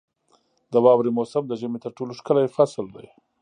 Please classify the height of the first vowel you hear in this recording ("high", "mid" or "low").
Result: mid